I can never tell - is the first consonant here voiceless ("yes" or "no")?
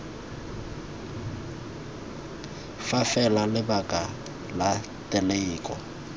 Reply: yes